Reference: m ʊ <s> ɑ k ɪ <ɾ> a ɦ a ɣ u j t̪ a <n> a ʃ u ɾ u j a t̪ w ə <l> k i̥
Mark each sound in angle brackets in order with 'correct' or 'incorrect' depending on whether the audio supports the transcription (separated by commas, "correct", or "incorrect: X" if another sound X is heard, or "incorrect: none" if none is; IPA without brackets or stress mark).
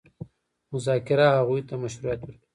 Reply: incorrect: z, correct, incorrect: m, incorrect: ɾ